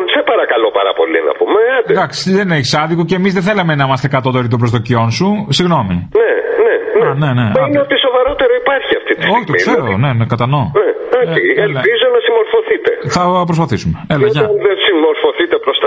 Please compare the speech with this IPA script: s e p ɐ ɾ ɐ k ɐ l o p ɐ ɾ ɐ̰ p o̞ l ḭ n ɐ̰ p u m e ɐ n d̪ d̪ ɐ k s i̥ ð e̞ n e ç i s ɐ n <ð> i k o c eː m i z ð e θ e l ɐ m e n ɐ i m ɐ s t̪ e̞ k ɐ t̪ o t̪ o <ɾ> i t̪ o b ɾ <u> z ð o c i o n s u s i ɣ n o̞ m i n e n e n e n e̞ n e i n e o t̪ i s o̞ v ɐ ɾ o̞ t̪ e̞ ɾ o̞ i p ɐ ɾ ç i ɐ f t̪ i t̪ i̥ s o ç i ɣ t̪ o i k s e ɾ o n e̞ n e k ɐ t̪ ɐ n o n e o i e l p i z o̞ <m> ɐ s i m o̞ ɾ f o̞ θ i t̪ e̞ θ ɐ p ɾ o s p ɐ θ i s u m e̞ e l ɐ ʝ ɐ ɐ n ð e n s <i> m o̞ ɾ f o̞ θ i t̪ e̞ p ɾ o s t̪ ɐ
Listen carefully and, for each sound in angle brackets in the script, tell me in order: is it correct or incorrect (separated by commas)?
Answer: correct, correct, incorrect, incorrect, correct